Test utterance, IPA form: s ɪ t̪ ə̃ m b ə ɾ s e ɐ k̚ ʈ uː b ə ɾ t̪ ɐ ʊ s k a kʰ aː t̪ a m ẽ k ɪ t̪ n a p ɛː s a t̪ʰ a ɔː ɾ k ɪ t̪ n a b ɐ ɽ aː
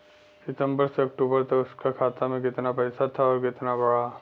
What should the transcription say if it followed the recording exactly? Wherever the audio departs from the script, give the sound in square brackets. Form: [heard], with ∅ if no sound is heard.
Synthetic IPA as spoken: s ɪ t̪ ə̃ m b ə ɾ s e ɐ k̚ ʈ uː b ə ɾ t̪ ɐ ʊ s k a kʰ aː t̪ a m ẽ k ɪ t̪ n a p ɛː s a t̪ʰ a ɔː ɾ k ɪ t̪ n a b ɐ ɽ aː